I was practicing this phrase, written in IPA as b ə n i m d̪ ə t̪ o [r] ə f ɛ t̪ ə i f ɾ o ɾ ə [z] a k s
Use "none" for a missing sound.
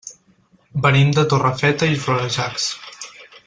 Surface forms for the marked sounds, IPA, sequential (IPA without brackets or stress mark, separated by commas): r, ʒ